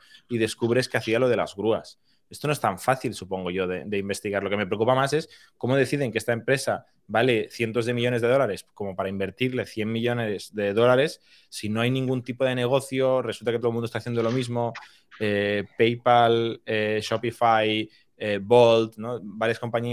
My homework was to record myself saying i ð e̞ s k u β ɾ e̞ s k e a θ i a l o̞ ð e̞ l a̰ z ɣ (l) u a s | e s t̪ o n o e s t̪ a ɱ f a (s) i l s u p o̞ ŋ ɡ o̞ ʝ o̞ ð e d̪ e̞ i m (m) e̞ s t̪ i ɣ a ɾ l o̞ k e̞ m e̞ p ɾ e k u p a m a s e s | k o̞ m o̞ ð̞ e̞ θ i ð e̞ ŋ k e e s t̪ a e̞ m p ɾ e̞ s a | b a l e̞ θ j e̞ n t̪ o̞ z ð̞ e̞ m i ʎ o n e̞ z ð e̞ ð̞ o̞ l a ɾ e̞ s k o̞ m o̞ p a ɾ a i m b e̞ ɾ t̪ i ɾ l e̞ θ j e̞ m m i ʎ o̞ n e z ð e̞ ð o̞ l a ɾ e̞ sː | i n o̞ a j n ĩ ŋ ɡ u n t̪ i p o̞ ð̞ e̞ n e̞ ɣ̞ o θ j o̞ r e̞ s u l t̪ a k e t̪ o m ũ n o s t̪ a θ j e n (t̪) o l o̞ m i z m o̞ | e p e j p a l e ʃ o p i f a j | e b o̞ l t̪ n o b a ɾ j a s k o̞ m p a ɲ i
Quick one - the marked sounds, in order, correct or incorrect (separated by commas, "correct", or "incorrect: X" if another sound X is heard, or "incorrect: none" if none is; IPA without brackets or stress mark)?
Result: incorrect: ɾ, incorrect: θ, incorrect: b, incorrect: d̪